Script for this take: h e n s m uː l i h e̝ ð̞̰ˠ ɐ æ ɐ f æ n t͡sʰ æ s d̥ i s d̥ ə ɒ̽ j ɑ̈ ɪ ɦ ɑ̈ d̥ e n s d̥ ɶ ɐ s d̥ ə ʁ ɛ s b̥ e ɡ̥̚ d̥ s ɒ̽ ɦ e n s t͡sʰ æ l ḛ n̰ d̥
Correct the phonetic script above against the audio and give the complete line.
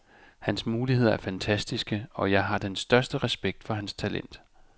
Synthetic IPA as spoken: h æ n s m uː l i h e̝ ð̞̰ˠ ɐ æ ɐ f æ n t͡sʰ æ s d̥ i s ɡ̥ ə ɒ̽ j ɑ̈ ɪ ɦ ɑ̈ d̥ e n s d̥ ɶ ɐ s d̥ ə ʁ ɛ s b̥ e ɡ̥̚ d̥ f ɒ̽ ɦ æ n s t͡sʰ æ l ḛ n̰ d̥